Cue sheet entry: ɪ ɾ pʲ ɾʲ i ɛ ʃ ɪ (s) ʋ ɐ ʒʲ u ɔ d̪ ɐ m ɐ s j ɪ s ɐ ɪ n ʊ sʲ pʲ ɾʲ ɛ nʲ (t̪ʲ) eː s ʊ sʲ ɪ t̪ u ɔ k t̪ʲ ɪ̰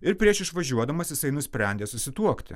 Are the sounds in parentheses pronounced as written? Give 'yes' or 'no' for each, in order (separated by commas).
no, no